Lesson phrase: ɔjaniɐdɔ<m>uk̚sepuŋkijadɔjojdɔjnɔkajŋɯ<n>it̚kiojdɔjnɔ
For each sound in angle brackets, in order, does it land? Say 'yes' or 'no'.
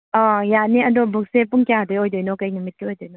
no, no

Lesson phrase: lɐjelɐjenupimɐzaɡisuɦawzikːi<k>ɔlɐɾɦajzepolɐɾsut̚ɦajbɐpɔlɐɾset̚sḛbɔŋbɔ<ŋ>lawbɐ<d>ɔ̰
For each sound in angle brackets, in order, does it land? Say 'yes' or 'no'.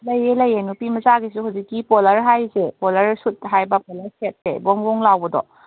no, yes, yes

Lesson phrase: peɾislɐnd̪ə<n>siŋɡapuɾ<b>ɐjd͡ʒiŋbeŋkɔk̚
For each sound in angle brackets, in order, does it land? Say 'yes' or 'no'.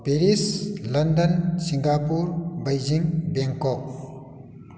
yes, yes

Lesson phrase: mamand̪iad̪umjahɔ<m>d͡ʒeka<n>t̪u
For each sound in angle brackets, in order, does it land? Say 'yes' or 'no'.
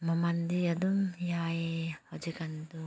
no, yes

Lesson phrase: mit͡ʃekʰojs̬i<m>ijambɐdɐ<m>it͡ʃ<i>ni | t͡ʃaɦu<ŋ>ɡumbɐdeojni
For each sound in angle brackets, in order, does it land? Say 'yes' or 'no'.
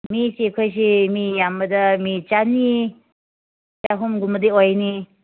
yes, yes, no, no

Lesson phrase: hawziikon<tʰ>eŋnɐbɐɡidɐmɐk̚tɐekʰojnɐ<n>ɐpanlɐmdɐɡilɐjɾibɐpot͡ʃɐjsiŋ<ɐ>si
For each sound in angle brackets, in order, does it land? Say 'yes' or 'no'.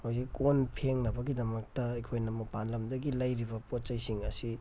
no, no, yes

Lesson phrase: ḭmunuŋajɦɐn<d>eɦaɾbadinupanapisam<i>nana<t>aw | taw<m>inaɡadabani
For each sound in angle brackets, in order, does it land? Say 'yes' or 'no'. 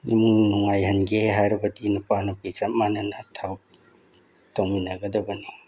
no, no, no, yes

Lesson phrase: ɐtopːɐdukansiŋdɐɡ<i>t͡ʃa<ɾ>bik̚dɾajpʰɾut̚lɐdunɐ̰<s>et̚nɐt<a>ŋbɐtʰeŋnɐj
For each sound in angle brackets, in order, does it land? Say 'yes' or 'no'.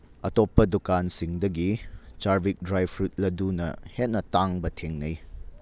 yes, yes, no, yes

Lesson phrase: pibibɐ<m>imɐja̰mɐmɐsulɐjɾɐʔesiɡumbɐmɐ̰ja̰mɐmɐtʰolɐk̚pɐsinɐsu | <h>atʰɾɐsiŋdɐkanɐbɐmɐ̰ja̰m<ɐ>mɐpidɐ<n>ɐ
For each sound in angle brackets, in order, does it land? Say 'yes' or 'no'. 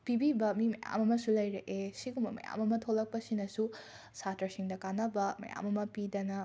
yes, no, yes, yes

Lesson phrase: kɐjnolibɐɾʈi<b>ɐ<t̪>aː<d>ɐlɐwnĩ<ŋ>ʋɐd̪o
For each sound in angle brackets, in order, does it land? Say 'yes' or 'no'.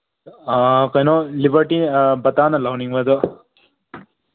yes, yes, no, yes

